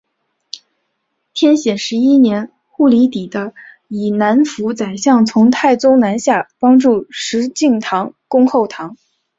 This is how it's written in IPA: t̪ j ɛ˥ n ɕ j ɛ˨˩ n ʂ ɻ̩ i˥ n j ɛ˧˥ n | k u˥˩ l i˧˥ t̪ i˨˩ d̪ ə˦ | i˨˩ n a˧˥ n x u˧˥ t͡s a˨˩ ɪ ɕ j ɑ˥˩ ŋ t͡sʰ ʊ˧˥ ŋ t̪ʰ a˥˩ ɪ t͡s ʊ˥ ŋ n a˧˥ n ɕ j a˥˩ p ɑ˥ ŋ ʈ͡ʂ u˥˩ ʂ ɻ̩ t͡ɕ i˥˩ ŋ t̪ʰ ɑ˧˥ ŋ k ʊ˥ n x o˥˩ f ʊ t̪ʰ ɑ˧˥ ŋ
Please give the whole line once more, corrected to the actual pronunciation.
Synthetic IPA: t̪ʰ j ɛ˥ n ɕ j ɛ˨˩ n ʂ ɻ̩ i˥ n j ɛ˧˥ n | x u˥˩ l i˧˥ t̪ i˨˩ d̪ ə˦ | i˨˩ n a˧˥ n f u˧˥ t͡s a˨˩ ɪ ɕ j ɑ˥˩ ŋ t͡sʰ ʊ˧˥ ŋ t̪ʰ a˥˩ ɪ t͡s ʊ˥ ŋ n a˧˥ n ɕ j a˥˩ p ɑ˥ ŋ ʈ͡ʂ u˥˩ ʂ ɻ̩ t͡ɕ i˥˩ ŋ t̪ʰ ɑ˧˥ ŋ k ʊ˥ ŋ x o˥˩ ʊ t̪ʰ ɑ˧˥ ŋ